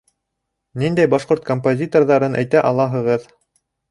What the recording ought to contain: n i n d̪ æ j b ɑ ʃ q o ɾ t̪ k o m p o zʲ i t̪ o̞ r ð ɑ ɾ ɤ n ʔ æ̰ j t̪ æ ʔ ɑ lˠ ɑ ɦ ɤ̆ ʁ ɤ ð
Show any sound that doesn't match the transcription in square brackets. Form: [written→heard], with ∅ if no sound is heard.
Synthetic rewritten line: n i n d̪ æ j b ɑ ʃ q o ɾ t̪ k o m p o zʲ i t̪ o̞ r ð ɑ ɾ ɤ n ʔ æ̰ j t̪ æ ʔ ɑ lˠ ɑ ɦ ɤ̆ ʁ ɤ ð